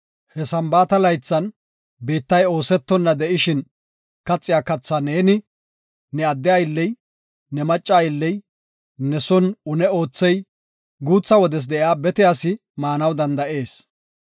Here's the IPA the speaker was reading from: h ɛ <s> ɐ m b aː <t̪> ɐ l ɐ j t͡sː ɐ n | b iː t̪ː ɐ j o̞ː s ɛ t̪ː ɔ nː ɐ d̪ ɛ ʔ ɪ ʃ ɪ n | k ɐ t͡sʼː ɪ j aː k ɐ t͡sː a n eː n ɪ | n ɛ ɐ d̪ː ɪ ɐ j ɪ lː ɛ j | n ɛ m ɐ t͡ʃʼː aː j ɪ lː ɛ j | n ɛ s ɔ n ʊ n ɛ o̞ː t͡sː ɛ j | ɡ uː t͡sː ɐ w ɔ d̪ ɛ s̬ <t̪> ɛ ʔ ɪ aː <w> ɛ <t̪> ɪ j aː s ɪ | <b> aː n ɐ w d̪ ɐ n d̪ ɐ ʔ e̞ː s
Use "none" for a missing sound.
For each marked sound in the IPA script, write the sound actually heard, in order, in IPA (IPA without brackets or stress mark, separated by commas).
s, t̪, d̪, b, t̪, m